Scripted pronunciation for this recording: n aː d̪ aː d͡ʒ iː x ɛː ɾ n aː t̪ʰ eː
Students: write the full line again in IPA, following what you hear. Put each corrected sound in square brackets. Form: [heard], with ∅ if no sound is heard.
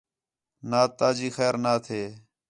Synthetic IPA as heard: n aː [t̪] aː d͡ʒ iː x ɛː ɾ n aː t̪ʰ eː

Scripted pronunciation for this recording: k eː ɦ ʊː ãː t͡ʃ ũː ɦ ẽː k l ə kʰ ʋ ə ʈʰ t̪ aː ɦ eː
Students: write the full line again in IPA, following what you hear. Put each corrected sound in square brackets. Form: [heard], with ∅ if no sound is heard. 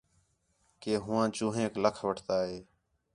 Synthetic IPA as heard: k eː ɦ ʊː ãː t͡ʃ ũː ɦ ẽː k l ə kʰ ʋ ə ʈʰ t̪ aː ɦ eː

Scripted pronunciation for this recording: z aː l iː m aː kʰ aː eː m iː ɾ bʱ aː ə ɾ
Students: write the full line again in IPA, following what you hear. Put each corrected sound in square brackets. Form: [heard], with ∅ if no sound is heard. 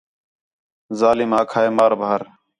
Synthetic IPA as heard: z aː l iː m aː kʰ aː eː m [aː] ɾ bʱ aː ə ɾ

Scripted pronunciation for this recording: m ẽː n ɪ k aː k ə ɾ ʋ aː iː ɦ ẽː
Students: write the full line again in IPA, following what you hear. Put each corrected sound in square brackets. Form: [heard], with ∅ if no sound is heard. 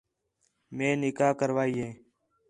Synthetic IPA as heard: m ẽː n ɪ k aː k ə ɾ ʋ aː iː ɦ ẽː

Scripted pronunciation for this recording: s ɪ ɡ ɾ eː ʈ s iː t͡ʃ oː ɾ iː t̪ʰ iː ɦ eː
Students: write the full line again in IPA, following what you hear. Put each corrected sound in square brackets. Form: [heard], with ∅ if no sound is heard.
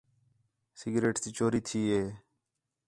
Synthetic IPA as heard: s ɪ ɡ ɾ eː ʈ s iː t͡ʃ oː ɾ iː t̪ʰ iː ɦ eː

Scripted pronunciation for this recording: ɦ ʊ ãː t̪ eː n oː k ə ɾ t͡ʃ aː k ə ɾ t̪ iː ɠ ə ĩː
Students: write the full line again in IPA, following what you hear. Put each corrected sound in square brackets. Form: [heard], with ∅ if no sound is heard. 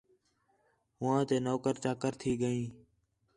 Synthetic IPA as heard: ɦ ʊ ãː t̪ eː n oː k ə ɾ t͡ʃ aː k ə ɾ [t̪ʰ] iː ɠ ə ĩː

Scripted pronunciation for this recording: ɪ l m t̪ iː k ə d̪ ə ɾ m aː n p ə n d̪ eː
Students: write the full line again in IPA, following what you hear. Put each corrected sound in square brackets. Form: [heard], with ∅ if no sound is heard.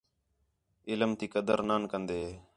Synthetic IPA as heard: ɪ l m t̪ iː k ə d̪ ə ɾ [n] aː n [k] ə n d̪ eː

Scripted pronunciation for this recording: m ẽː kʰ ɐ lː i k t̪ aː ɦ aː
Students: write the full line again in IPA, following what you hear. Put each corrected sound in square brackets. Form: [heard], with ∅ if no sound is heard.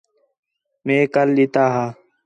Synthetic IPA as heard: m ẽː [k] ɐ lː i [∅] t̪ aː ɦ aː

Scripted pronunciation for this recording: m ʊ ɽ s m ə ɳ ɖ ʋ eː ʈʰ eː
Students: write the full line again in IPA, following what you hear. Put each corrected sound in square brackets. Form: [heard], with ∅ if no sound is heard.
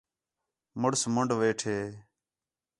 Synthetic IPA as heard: m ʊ ɽ s m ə ɳ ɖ ʋ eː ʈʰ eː

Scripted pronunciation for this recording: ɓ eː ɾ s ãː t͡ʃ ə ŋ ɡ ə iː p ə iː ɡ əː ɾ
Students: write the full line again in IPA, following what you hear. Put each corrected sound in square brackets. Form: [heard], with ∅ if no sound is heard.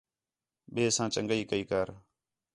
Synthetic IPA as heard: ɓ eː [∅] s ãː t͡ʃ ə ŋ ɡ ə iː [k] ə iː [k] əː ɾ

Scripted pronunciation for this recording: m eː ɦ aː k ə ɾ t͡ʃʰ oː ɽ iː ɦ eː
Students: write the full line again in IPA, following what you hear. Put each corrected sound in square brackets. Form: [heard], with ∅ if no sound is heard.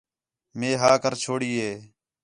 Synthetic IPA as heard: m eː ɦ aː k ə ɾ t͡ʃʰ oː ɽ iː ɦ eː

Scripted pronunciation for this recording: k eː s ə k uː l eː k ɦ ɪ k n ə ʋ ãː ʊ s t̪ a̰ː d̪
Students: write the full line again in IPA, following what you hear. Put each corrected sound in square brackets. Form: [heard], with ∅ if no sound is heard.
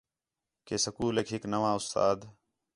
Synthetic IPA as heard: k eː s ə k uː l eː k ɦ ɪ k n ə ʋ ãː ʊ s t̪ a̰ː d̪

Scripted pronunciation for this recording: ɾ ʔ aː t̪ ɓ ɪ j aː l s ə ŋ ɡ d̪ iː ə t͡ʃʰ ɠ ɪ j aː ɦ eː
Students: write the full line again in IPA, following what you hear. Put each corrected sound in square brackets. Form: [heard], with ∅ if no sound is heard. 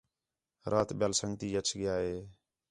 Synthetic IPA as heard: ɾ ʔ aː t̪ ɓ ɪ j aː l s ə ŋ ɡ [t̪] iː ə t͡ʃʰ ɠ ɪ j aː ɦ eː

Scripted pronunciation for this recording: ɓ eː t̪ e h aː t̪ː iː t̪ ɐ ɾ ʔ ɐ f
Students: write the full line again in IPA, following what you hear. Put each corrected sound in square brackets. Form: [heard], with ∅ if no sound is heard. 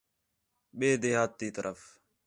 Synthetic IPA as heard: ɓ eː [d̪] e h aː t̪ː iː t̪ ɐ ɾ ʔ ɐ f

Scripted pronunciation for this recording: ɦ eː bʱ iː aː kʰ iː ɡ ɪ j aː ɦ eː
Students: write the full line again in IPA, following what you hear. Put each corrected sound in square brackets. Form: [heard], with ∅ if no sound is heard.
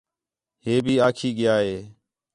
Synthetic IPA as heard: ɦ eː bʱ iː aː kʰ iː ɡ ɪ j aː ɦ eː

